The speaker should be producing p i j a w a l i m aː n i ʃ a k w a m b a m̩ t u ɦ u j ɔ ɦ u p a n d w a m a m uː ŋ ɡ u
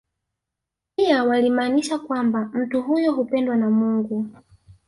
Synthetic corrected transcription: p i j a w a l i m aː n i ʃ a k w a m b a m̩ t u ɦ u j ɔ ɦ u p ɛ n d w a n a m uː ŋ ɡ u